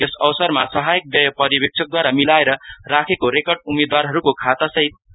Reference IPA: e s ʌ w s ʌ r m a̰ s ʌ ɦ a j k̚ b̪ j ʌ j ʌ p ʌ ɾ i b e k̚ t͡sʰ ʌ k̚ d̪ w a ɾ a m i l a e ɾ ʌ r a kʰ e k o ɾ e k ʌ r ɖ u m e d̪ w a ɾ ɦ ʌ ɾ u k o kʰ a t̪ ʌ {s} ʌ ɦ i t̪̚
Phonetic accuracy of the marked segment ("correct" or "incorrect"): correct